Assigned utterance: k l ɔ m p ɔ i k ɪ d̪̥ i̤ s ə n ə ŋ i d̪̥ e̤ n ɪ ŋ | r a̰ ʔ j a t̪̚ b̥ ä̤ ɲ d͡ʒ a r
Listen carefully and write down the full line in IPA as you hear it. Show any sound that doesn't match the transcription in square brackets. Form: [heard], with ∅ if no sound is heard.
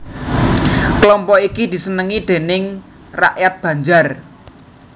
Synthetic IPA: k l ɔ m p ɔ i k [i] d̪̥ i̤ s ə n ə ŋ i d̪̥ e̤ n ɪ ŋ | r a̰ ʔ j a t̪̚ b̥ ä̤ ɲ d͡ʒ a r